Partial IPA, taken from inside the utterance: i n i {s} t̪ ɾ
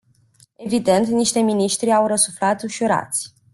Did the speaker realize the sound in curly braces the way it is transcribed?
no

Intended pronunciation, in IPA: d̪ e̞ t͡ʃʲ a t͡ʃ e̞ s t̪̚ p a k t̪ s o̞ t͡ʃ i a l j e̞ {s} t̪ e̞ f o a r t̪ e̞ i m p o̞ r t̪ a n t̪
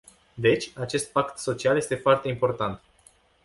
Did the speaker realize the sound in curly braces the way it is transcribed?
yes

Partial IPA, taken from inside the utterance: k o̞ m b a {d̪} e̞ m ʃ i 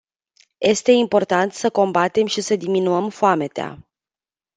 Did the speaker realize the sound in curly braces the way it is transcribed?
no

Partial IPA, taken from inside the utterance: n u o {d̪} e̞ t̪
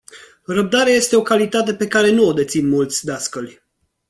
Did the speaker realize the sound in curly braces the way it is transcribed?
yes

